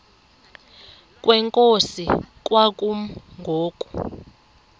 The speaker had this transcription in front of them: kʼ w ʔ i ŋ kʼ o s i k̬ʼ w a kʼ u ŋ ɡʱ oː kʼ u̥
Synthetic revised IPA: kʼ w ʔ ɛ ŋ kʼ o s i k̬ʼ w a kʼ u ŋ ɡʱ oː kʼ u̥